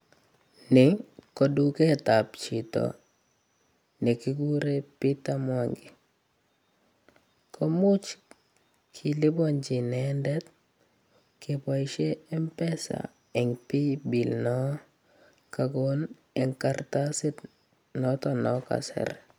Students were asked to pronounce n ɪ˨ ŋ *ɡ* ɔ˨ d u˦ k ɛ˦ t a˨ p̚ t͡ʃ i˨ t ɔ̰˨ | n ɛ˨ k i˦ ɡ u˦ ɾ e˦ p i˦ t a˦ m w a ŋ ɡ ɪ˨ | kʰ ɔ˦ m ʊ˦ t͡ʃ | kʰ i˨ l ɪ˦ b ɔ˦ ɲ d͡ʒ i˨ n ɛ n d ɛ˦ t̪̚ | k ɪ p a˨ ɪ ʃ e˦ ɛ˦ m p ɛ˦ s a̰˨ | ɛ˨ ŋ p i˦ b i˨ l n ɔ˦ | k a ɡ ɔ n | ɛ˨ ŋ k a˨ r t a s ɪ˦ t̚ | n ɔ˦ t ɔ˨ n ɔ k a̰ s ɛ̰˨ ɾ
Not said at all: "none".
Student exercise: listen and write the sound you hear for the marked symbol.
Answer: k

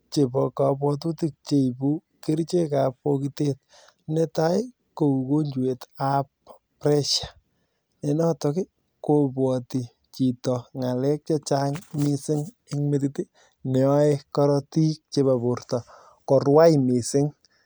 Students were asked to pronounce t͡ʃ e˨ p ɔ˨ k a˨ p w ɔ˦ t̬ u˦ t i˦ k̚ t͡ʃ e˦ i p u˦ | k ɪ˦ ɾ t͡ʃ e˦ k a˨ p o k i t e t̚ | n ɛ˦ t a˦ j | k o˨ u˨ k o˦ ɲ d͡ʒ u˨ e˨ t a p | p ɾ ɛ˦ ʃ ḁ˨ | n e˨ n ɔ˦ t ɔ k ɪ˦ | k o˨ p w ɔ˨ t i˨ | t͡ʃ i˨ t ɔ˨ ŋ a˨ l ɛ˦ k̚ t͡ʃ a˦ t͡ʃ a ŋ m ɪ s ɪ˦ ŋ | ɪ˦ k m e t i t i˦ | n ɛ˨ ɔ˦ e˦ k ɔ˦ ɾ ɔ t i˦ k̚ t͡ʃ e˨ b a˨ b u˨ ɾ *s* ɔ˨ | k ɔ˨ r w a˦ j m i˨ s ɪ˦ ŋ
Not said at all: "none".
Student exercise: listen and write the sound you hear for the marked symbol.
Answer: t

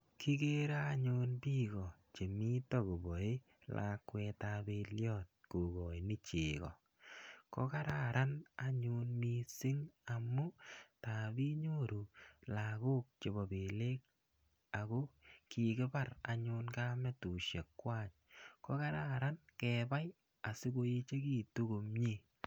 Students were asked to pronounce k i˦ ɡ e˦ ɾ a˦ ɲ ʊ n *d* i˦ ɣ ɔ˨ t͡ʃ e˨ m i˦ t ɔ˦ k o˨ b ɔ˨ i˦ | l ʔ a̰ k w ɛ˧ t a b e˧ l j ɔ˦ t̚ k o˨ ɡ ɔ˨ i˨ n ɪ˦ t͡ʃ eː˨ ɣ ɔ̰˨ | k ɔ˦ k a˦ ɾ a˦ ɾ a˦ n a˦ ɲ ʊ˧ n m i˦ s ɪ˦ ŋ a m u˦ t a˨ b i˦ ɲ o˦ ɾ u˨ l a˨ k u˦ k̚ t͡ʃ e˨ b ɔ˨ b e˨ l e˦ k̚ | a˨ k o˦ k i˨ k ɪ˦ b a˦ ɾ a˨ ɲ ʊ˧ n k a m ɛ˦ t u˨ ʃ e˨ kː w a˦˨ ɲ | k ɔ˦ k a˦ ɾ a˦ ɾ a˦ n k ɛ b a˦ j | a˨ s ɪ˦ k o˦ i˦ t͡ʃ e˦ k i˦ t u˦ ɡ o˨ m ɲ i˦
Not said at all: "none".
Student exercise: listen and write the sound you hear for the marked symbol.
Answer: b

